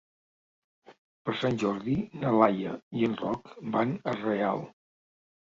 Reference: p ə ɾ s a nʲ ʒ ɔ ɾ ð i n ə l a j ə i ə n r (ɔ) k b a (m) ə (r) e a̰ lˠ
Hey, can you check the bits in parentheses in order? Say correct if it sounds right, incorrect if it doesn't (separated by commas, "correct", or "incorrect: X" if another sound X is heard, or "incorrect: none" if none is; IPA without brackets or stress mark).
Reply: correct, incorrect: n, correct